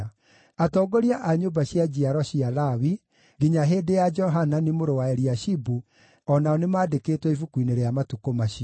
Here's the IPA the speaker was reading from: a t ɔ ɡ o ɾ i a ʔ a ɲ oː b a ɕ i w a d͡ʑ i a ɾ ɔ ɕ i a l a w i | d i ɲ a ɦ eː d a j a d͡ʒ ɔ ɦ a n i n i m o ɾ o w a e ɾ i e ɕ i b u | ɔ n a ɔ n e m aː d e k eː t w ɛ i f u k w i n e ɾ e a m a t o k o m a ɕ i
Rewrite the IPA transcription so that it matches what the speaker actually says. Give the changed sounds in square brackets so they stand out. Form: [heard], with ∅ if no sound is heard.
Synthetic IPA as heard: a t ɔ ɡ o ɾ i a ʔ a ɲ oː b a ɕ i [∅] a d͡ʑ i a ɾ ɔ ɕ i a l a w i | [ɡ] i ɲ a ɦ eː d [e] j a d͡ʒ ɔ ɦ a n [a] n i m o ɾ o w a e ɾ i [a] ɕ i b u | ɔ n a ɔ n e m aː d e k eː t w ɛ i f u k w i n e ɾ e a m a t [u] k o m a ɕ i

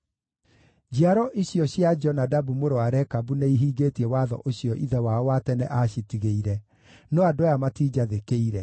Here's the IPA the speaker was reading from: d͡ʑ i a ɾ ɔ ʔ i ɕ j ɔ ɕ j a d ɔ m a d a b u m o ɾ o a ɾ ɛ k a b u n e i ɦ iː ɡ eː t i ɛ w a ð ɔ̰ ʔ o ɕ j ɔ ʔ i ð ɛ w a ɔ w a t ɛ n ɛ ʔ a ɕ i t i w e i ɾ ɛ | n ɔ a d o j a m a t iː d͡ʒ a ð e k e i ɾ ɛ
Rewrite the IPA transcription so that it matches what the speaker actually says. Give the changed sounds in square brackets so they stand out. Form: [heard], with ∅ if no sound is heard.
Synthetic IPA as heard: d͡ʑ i a ɾ ɔ ʔ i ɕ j ɔ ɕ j a [d͡ʒ] ɔ [n] a d a b u m o ɾ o a ɾ ɛ k a b u n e i ɦ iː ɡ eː t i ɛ w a ð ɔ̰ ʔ o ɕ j ɔ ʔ i ð ɛ w a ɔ w a t ɛ n ɛ ʔ a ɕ i t i [ɣ] e i ɾ ɛ | n ɔ a d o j a m a t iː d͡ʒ a ð e k e i ɾ ɛ

